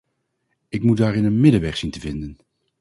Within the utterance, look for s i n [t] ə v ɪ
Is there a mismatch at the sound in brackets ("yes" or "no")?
no